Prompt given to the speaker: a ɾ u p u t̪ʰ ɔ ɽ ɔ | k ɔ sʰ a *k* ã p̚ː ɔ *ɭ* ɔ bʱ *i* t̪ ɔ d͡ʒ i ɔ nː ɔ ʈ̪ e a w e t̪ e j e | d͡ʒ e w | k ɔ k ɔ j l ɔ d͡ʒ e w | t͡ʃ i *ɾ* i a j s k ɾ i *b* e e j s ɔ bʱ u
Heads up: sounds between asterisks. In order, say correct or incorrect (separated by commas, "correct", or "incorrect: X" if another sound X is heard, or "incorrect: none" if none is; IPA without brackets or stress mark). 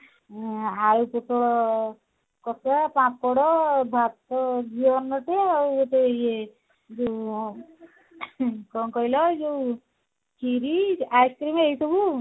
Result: incorrect: p, incorrect: ɽ, incorrect: a, correct, incorrect: m